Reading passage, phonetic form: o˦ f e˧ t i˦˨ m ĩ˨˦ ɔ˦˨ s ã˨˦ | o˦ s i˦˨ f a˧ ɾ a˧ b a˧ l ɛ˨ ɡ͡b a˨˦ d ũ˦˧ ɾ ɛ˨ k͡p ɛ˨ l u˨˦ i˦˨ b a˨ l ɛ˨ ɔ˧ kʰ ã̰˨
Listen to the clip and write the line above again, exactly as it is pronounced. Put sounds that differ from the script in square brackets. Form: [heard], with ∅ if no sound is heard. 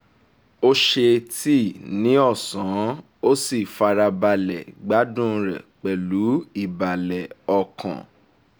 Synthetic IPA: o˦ [ʃ] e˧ t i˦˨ [n] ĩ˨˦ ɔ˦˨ s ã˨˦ | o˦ s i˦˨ f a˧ ɾ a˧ b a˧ l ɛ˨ ɡ͡b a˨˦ d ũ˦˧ ɾ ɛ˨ k͡p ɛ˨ l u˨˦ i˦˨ b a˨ l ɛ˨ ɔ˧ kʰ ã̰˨